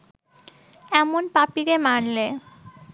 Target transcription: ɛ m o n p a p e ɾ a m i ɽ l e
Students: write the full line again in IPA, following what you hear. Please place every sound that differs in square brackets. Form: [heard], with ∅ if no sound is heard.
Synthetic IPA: ɛ m o n p a p [i] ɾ [e] m [a] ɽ l e